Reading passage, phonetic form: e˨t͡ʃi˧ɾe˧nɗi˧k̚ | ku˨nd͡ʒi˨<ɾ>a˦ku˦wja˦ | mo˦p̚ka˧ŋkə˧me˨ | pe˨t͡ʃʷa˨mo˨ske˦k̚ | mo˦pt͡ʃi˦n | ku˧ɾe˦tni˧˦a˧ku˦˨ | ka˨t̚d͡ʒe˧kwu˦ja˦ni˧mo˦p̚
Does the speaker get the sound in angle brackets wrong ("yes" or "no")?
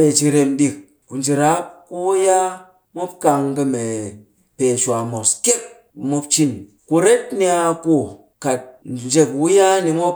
no